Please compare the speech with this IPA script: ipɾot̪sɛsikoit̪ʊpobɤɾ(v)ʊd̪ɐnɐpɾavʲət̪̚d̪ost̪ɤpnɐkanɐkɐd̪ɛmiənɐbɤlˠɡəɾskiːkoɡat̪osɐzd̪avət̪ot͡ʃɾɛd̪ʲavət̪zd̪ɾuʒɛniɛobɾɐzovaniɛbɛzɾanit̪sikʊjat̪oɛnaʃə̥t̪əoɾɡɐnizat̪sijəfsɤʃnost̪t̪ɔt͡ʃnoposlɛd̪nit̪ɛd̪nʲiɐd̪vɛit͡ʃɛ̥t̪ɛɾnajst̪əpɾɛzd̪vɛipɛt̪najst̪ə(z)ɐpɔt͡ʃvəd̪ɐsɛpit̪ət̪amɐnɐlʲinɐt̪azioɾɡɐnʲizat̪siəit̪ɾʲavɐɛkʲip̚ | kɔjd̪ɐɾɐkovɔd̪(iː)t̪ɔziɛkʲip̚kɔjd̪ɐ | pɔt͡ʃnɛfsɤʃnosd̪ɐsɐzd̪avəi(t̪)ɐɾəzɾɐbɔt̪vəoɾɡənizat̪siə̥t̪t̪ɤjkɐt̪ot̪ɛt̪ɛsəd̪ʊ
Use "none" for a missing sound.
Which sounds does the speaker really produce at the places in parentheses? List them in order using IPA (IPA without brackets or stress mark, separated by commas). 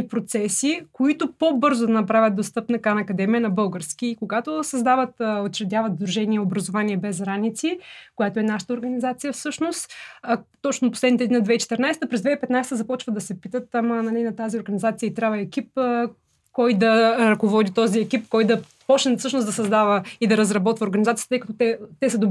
z, z, i, d̪